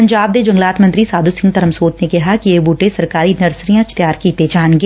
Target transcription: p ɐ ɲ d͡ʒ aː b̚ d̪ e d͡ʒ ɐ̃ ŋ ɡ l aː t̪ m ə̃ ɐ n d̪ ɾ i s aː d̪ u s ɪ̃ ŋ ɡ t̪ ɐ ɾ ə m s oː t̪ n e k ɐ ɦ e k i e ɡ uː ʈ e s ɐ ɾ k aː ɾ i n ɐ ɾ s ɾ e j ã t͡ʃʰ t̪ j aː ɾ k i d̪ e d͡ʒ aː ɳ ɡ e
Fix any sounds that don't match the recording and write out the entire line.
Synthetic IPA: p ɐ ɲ d͡ʒ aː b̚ d̪ e d͡ʒ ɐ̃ ŋ ɡ l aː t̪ m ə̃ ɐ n t̪ ɾ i s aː d̪ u s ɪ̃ ŋ ɡ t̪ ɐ ɾ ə m s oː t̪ n e k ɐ ɦ a k i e b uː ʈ e s ɐ ɾ k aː ɾ i n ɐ ɾ s ɾ i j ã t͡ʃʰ t̪ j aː ɾ k i t̪ e d͡ʒ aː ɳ ɡ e